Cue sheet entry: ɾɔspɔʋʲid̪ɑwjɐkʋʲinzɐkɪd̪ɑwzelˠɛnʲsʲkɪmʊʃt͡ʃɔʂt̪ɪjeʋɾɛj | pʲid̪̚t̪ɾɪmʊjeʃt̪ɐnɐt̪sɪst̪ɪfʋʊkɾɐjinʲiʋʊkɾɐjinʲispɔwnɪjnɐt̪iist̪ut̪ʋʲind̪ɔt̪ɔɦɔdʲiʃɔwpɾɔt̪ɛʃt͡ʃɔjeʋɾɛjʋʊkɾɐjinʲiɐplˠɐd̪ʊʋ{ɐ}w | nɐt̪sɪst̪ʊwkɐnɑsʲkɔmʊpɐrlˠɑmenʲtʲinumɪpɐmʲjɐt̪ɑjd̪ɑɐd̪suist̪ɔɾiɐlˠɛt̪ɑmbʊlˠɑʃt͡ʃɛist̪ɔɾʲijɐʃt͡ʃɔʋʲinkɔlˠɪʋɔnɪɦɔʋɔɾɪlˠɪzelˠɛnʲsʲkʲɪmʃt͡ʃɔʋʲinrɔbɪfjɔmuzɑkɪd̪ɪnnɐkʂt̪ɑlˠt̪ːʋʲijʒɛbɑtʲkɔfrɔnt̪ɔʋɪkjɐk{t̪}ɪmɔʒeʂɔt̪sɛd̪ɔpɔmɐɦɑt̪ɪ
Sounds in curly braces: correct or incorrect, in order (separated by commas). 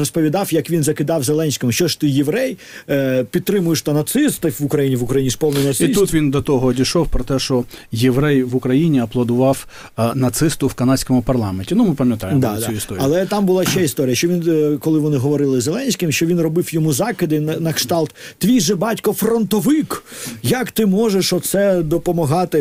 incorrect, correct